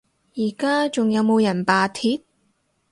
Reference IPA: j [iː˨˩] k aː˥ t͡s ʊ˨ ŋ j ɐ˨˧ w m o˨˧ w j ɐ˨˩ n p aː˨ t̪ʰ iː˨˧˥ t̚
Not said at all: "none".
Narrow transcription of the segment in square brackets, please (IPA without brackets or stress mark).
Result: iː˨˩